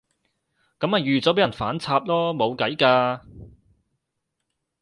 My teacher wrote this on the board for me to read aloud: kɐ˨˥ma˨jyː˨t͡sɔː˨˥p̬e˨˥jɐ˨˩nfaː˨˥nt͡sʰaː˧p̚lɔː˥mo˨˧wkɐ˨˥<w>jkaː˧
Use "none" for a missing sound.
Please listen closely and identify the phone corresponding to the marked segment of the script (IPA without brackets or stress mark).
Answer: none